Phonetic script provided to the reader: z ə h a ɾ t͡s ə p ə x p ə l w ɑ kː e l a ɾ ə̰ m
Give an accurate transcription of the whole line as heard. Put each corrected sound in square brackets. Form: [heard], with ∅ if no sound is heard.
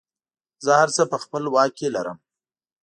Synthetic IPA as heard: z ə h a ɾ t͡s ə p ə x p ə l w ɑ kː e l a ɾ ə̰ m